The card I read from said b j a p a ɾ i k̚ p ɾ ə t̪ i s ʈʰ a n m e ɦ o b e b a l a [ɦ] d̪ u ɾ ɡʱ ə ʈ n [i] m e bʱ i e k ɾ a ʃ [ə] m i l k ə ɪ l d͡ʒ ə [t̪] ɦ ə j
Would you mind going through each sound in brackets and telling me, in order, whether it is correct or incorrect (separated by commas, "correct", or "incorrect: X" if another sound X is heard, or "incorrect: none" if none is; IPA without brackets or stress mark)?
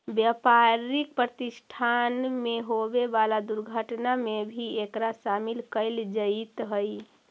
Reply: incorrect: none, incorrect: a, incorrect: a, correct